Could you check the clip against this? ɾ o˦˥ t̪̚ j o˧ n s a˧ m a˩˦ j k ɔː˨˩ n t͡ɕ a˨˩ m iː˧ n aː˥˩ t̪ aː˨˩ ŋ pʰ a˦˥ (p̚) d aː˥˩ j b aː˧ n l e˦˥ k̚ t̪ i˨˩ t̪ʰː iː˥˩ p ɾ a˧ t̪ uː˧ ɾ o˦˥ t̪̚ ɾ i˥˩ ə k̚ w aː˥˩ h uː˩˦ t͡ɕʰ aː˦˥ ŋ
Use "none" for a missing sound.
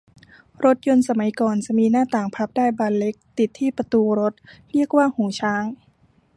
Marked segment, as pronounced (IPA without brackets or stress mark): p̚